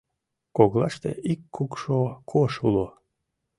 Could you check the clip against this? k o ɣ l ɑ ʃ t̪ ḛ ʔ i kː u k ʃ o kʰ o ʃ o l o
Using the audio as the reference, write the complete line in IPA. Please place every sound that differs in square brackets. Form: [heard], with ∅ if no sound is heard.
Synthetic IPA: k o ɣ l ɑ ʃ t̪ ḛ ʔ i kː u k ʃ o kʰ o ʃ [u] l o